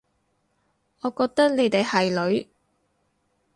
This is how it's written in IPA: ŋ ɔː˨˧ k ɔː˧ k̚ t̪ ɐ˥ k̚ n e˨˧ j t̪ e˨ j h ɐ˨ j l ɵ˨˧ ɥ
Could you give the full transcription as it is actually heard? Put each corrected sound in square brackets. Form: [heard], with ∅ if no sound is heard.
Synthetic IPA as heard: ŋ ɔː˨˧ k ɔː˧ k̚ t̪ ɐ˥ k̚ n e˨˧ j t̪ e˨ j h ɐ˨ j l ɵ˨˧ ɥ